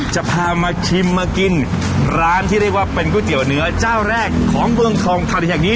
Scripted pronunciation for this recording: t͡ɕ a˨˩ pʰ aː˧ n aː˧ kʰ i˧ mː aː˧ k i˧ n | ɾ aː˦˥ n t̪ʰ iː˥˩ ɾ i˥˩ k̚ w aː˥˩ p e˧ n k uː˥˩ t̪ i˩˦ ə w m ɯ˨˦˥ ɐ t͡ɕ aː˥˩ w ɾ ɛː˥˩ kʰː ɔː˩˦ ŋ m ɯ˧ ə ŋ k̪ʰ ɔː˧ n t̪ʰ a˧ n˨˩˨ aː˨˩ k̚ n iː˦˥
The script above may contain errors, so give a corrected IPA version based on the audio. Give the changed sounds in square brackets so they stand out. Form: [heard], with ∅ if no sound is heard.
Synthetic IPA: t͡ɕ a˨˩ pʰ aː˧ [m] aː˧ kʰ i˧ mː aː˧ k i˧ n | ɾ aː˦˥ n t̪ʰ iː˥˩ ɾ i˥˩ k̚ w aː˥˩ p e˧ n k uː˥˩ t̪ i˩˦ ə w [n] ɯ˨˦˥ ɐ t͡ɕ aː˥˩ w ɾ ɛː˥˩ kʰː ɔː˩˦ ŋ m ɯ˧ ə ŋ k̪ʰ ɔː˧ [ŋ] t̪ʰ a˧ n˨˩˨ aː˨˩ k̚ n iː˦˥